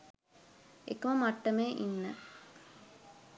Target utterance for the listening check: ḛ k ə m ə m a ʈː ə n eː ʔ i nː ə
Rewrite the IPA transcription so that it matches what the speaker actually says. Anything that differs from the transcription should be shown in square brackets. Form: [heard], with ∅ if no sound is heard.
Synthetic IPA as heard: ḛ k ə m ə m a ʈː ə [m] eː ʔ i nː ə